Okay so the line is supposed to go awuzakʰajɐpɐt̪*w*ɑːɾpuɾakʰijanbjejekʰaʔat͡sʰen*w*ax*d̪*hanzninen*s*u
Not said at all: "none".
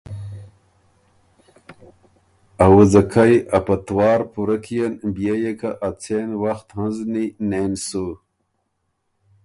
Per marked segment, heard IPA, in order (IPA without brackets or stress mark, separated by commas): w, w, t̪, s